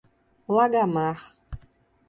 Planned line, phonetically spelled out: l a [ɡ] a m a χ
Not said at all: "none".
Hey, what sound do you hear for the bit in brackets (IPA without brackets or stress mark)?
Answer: ɡ